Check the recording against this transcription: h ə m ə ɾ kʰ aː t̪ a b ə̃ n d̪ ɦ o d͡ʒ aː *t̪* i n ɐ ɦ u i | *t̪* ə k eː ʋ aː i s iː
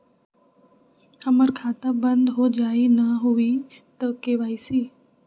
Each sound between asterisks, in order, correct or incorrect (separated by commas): incorrect, correct